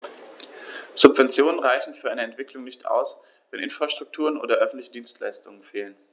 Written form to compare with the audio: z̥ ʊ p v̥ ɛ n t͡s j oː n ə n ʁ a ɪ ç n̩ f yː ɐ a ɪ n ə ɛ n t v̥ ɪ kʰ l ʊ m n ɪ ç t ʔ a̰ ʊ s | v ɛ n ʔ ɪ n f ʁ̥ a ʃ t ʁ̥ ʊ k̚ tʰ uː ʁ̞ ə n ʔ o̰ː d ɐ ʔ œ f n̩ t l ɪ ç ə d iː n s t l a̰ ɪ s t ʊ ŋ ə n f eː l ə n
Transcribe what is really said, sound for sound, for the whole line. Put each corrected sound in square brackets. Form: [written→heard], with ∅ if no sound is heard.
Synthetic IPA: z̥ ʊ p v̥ ɛ n t͡s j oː n ə n ʁ a ɪ ç n̩ f yː ɐ a ɪ n ə ɛ n t v̥ ɪ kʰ l ʊ [m→ŋ] n ɪ ç t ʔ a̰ ʊ s | v ɛ n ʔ ɪ n f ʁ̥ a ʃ t ʁ̥ ʊ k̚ tʰ uː ʁ̞ ə n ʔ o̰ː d ɐ ʔ œ f n̩ t l ɪ ç ə d iː n s t l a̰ ɪ s t ʊ ŋ ə n f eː l ə n